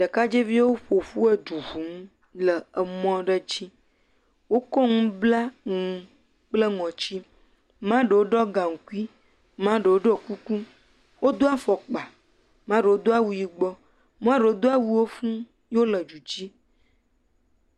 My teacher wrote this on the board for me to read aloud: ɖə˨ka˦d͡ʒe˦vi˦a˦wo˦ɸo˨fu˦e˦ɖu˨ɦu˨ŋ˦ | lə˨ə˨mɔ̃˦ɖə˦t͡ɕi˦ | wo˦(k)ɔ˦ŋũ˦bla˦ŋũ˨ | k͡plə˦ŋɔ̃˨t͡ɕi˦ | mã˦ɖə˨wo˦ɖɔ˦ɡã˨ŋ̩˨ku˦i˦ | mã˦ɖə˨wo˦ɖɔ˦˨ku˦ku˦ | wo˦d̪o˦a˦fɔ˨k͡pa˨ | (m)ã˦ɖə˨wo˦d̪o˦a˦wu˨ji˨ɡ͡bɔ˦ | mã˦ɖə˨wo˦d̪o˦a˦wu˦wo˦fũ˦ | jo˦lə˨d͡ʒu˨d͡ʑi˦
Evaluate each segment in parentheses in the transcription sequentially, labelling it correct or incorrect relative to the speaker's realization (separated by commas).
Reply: correct, correct